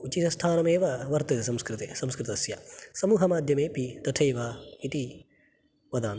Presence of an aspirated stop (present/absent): present